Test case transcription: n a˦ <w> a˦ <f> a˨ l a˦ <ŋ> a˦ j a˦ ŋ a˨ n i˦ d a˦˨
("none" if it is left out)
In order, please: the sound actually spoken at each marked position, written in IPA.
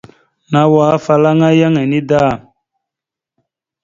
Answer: w, f, ŋ

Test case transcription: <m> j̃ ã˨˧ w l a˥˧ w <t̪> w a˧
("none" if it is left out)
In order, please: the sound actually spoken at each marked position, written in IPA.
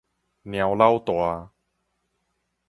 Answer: n, t̪

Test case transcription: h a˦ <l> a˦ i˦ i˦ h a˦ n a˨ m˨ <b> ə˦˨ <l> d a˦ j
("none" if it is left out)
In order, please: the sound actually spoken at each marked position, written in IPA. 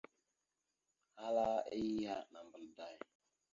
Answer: l, b, l

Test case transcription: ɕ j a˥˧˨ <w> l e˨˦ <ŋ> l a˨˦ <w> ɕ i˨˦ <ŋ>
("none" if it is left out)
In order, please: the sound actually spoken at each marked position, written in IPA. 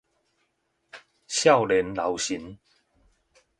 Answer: w, n, w, n

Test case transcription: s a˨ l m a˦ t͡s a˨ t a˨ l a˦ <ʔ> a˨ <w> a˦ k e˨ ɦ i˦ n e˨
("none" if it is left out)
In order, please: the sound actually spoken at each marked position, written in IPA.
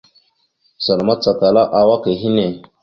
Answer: ʔ, w

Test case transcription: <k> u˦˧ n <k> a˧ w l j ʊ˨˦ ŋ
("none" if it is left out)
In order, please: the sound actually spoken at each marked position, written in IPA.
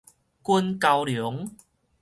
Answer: k, k

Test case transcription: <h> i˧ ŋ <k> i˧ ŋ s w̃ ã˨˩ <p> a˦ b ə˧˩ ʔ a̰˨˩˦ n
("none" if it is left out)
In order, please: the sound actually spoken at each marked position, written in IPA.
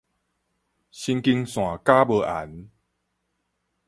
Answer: ɕ, k, k

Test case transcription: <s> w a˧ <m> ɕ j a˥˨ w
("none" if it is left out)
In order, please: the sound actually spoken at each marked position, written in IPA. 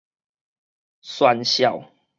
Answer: s, n

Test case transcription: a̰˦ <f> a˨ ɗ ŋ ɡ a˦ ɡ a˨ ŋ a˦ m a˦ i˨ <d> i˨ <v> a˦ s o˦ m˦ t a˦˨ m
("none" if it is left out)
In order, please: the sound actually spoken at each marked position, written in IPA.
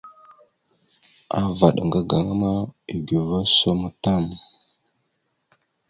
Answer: v, ɡ, v

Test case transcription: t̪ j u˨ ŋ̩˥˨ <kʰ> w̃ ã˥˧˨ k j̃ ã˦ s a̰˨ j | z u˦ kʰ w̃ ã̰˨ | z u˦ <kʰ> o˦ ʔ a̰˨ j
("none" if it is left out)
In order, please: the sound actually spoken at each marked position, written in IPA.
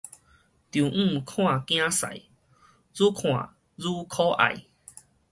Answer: kʰ, kʰ

